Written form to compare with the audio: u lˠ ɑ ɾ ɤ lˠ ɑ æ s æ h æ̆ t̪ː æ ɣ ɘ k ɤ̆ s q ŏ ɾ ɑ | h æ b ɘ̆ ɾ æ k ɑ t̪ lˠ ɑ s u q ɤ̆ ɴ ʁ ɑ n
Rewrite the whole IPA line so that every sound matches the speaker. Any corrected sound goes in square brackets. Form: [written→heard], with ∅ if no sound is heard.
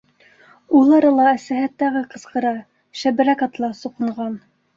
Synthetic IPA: u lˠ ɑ ɾ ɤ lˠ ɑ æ s æ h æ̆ t̪ː æ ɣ ɘ [k→q] ɤ̆ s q [ŏ→ɤ̆] ɾ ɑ | [h→ʃ] æ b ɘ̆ ɾ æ k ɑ t̪ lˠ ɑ s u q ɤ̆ ɴ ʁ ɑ n

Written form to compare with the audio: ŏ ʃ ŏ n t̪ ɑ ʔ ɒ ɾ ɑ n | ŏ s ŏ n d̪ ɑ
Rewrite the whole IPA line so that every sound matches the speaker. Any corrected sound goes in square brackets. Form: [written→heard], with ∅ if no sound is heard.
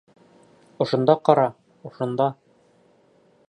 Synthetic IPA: ŏ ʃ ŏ n [t̪→d̪] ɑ [ʔ→q] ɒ ɾ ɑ [n→∅] | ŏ [s→ʃ] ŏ n d̪ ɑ

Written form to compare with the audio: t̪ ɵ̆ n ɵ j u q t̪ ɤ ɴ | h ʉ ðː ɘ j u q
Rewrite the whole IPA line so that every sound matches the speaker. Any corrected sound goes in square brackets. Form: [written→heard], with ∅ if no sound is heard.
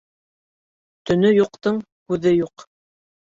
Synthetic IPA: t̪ ɵ̆ n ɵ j u q t̪ ɤ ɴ | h ʉ [ðː→ð] ɘ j u q

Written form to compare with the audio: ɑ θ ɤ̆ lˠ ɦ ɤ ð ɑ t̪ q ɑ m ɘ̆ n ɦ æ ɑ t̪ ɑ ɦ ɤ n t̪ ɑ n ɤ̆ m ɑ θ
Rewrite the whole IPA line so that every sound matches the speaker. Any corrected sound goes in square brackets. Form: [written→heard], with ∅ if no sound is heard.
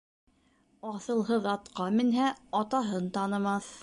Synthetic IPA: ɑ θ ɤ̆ lˠ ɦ ɤ ð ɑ t̪ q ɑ m ɘ̆ n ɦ æ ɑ t̪ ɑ ɦ ɤ n t̪ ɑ n ɤ̆ m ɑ θ

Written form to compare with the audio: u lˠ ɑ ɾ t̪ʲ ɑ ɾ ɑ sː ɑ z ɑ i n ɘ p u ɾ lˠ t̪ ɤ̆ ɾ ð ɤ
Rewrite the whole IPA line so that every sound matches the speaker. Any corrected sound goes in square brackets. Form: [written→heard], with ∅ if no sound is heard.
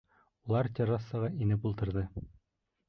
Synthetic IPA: u lˠ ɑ ɾ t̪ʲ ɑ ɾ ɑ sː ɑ [z→ʁ] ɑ i n ɘ p u [ɾ→∅] lˠ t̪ ɤ̆ ɾ ð ɤ

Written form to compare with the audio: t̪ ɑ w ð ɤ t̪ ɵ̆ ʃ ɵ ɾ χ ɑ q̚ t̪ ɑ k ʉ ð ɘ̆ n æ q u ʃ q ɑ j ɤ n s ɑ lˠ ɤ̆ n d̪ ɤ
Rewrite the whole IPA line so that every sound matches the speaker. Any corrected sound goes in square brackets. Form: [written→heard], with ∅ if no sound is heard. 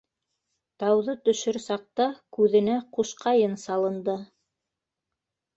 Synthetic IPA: t̪ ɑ w ð ɤ t̪ ɵ̆ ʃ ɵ ɾ [χ→s] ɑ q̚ t̪ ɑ k ʉ ð ɘ̆ n æ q u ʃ q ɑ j ɤ n s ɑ lˠ ɤ̆ n d̪ ɤ

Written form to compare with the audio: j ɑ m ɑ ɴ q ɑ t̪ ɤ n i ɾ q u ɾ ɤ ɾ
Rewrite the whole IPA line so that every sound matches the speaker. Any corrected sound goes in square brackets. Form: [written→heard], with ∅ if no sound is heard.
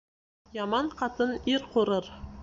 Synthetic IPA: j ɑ m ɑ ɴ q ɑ t̪ ɤ n i ɾ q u ɾ ɤ ɾ

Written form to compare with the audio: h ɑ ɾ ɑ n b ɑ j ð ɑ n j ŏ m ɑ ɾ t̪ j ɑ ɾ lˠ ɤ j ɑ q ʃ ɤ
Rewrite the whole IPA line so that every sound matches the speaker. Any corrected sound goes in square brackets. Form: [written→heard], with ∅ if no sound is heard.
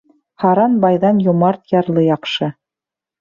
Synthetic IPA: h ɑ ɾ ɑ n b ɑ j ð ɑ n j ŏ m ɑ ɾ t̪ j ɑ ɾ lˠ ɤ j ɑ q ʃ ɤ

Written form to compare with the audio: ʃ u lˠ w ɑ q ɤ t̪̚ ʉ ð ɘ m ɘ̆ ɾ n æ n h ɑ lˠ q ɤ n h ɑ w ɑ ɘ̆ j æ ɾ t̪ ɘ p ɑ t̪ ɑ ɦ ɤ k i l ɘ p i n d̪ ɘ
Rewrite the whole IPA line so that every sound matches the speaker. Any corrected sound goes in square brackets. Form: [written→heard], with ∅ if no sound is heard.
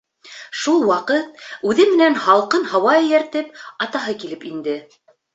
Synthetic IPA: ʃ u lˠ w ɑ q ɤ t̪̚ ʉ ð ɘ m ɘ̆ [ɾ→∅] n æ n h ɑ lˠ q ɤ n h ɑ w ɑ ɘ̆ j æ ɾ t̪ ɘ p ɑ t̪ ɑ ɦ ɤ k i l ɘ p i n d̪ ɘ

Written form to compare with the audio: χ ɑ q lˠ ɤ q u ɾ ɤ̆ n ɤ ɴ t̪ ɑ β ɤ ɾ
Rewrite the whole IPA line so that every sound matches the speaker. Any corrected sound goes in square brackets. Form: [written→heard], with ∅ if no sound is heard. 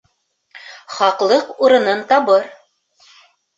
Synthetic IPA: χ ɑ q lˠ ɤ q u ɾ ɤ̆ n ɤ [ɴ→n] t̪ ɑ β ɤ ɾ

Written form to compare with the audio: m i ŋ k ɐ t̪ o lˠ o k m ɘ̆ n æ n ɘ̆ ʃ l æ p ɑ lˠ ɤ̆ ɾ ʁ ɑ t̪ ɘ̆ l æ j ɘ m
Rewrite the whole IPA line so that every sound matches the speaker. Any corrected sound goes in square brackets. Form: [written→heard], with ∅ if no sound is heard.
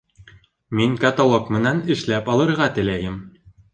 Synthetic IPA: m i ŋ k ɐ t̪ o lˠ o k m ɘ̆ n æ n ɘ̆ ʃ l æ p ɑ lˠ ɤ̆ ɾ ʁ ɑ t̪ ɘ̆ l æ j ɘ m

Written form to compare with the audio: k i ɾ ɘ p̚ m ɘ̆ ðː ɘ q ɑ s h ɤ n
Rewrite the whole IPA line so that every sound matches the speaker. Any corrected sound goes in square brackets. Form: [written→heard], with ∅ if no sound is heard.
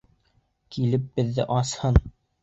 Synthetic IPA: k i [ɾ→l] ɘ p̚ [m→b] ɘ̆ ðː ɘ [q→ʔ] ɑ s h ɤ n

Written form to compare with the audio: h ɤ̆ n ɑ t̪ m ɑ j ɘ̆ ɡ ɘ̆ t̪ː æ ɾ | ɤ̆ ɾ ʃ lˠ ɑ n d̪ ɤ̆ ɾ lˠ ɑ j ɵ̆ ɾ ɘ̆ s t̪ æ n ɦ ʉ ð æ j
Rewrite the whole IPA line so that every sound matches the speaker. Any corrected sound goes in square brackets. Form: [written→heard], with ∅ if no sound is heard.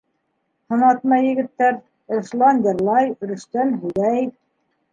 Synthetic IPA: h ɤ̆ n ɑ t̪ m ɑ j ɘ̆ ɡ ɘ̆ t̪ː æ ɾ | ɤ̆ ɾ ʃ lˠ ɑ n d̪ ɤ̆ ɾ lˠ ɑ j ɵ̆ ɾ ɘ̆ [s→ʃ] t̪ æ n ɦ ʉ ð æ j

